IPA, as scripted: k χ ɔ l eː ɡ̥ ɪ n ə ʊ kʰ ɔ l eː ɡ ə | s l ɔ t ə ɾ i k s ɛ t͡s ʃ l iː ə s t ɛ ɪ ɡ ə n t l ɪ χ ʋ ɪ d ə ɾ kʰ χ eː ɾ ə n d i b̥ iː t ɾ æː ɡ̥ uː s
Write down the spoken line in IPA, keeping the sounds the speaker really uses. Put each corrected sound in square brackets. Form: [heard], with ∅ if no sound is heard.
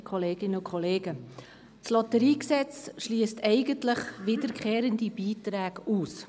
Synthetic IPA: k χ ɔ l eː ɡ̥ ɪ n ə ʊ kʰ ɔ l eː ɡ ə | s l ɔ t ə ɾ [iː] k s ɛ t͡s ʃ l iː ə s t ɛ ɪ ɡ ə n t l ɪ χ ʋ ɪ d ə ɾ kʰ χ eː ɾ ə n d i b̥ iː t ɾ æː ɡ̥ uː s